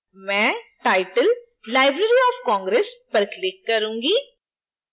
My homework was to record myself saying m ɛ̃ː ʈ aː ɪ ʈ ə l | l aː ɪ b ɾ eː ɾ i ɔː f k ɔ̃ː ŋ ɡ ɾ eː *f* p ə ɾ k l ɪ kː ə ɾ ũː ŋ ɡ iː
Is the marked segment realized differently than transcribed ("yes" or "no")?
yes